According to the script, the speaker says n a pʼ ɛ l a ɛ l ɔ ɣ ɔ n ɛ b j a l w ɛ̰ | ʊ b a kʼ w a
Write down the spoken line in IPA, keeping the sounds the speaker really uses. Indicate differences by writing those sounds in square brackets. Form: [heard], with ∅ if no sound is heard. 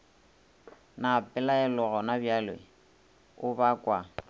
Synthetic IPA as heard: n a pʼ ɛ l a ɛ l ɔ ɣ ɔ n [a] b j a l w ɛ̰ | ʊ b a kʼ w a